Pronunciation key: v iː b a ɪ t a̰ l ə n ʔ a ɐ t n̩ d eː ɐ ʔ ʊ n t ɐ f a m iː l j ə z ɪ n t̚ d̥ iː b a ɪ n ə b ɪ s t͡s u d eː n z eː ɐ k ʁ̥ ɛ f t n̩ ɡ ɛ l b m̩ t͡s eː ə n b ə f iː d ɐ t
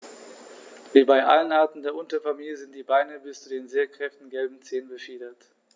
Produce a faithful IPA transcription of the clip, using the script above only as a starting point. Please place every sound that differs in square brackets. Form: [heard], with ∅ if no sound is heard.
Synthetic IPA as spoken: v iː b a ɪ [ʔ] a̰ l ə n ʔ a ɐ t n̩ d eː ɐ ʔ ʊ n t ɐ f a m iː l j ə z ɪ n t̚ d̥ iː b a ɪ n ə b ɪ s t͡s u d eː n z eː ɐ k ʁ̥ ɛ f t n̩ ɡ ɛ l b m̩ t͡s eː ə n b ə f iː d ɐ t

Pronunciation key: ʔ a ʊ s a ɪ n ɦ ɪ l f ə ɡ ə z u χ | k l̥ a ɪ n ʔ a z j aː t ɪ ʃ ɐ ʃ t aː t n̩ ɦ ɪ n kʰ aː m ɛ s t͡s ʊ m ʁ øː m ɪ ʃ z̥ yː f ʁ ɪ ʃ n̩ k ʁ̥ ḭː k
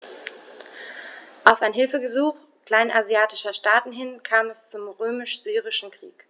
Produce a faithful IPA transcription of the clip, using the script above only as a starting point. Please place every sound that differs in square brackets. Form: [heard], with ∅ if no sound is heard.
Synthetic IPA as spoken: ʔ a ʊ [f] a ɪ n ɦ ɪ l f ə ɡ ə z [uː] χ | k l̥ a ɪ n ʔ a z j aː t ɪ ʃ ɐ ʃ t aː t n̩ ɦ ɪ n kʰ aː m ɛ s t͡s ʊ m ʁ øː m ɪ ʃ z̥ yː [∅] ʁ ɪ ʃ n̩ k ʁ̥ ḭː k

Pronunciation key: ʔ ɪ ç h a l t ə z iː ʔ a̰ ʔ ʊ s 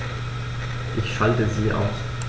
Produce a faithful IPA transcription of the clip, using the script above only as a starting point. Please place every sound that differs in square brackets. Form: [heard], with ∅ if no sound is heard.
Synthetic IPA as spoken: ʔ ɪ ç [ʃ] a l t ə z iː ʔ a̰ [∅] ʊ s

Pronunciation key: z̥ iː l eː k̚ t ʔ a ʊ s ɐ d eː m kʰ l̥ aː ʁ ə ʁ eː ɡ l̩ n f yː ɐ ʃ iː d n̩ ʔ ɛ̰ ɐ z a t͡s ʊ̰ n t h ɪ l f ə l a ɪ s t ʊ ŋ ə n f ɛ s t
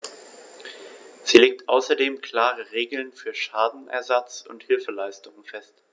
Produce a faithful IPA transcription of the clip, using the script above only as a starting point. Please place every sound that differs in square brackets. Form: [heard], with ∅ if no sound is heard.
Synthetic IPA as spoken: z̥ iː l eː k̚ t ʔ a ʊ s ɐ d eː m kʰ l̥ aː ʁ ə ʁ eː ɡ l̩ n f yː ɐ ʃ [aː] d n̩ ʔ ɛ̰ ɐ z a t͡s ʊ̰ n t h ɪ l f ə l a ɪ s t ʊ ŋ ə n f ɛ s t

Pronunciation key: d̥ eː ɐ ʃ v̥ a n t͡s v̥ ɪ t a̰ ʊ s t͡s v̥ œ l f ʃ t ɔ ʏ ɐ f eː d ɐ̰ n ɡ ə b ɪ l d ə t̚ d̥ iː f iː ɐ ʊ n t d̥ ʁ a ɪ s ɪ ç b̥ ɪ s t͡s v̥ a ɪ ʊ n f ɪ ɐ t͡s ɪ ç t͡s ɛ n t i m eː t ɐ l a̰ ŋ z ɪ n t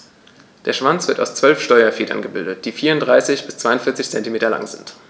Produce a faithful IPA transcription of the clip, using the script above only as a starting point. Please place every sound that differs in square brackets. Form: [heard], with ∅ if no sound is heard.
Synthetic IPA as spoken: d̥ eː ɐ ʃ v̥ a n t͡s v̥ ɪ t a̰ ʊ s t͡s v̥ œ l f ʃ t ɔ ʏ ɐ f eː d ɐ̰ n ɡ ə b ɪ l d ə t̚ d̥ iː f iː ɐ ʊ n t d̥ ʁ a ɪ s ɪ ç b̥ ɪ s t͡s v̥ a ɪ ʊ n f ɪ ɐ t͡s ɪ ç t͡s ɛ n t i m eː t ɐ l a̰ ŋ z ɪ n t

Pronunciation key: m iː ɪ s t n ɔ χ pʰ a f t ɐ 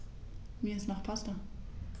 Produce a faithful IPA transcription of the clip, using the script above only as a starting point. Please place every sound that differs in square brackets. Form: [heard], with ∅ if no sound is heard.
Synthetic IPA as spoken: m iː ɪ s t n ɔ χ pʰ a [s] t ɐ

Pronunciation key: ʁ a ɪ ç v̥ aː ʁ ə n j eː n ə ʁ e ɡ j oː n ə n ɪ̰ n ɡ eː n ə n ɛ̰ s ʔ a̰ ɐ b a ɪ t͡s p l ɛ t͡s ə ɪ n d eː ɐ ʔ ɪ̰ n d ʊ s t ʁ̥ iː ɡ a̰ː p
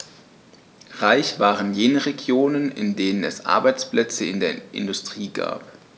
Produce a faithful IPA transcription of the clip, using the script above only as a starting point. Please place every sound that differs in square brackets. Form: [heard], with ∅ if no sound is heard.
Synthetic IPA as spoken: ʁ a ɪ ç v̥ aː ʁ ə n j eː n ə ʁ e ɡ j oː n ə n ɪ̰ n [d] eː n ə n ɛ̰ s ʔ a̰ ɐ b a ɪ t͡s p l ɛ t͡s ə ɪ n d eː ɐ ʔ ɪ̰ n d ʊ s t ʁ̥ iː ɡ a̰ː p

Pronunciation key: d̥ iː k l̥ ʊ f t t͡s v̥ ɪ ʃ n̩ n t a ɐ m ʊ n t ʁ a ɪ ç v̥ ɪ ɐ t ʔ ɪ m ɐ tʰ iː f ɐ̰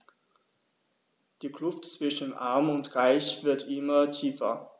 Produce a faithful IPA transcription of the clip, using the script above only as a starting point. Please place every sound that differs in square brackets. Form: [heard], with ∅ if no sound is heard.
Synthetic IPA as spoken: d̥ iː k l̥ ʊ f t t͡s v̥ ɪ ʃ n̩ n [ʔ] a ɐ m ʊ n t ʁ a ɪ ç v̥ ɪ ɐ t ʔ ɪ m ɐ tʰ iː f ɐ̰

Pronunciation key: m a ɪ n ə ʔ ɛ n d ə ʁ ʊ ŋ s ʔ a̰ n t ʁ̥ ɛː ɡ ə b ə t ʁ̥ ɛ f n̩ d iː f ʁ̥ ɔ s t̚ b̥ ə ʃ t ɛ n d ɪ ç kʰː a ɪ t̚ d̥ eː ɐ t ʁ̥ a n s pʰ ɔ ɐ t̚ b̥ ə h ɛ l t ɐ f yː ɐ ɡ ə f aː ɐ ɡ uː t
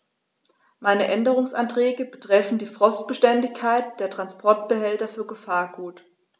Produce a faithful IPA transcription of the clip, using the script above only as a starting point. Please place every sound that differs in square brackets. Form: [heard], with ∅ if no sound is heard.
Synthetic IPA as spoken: m a ɪ n ə ʔ ɛ n d ə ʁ ʊ ŋ s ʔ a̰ n t ʁ̥ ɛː ɡ ə b ə t ʁ̥ ɛ f n̩ d iː f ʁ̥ ɔ s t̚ b̥ ə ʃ t ɛ n d ɪ ç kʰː a ɪ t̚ d̥ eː ɐ t ʁ̥ a n s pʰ ɔ ɐ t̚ b̥ ə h ɛ l t ɐ f yː ɐ ɡ ə f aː ɐ ɡ uː t

